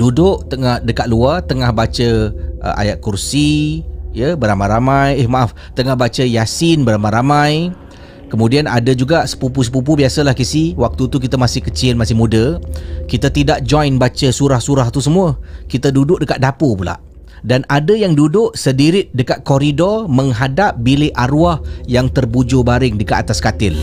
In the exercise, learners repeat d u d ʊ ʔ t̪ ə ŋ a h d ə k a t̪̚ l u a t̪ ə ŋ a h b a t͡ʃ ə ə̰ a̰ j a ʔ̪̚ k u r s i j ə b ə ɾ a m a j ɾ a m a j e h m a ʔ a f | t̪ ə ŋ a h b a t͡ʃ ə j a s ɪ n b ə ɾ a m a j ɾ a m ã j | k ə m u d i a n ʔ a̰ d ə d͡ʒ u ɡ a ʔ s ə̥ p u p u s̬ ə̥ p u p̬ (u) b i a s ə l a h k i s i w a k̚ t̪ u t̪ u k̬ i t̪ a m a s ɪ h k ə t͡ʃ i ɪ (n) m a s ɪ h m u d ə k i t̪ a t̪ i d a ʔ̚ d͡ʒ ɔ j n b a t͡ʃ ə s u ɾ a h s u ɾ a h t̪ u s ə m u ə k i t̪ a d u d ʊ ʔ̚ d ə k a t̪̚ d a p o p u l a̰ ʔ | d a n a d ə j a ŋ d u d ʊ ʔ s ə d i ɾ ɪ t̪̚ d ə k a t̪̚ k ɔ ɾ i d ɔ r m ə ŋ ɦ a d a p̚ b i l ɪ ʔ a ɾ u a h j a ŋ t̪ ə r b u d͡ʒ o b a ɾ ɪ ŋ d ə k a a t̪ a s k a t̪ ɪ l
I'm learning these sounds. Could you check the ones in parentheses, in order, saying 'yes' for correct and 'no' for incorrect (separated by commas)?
yes, yes